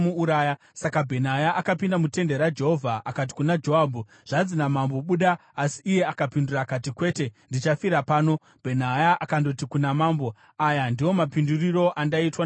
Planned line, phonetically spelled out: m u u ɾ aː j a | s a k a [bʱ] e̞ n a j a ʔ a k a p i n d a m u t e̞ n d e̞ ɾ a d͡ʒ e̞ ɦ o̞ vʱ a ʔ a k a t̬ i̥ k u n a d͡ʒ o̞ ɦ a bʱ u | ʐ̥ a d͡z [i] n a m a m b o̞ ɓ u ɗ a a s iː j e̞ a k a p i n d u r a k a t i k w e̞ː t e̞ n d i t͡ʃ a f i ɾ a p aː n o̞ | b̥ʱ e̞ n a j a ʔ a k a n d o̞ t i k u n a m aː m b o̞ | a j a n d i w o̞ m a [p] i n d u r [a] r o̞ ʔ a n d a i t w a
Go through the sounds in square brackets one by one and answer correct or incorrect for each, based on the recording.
correct, correct, correct, incorrect: i

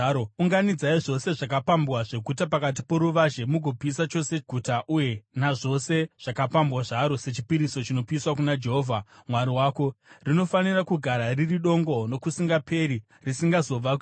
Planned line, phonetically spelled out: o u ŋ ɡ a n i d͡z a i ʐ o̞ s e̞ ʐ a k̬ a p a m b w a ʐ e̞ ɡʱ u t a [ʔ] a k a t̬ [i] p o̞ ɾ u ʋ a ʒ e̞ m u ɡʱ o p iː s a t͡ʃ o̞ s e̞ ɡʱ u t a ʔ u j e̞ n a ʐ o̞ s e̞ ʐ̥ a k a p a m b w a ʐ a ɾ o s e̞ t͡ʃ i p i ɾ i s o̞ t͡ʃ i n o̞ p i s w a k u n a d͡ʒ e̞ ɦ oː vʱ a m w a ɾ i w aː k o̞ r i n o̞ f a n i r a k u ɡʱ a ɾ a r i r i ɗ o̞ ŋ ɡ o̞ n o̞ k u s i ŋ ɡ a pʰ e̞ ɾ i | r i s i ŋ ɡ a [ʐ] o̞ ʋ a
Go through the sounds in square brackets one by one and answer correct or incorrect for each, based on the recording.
incorrect: p, correct, incorrect: z

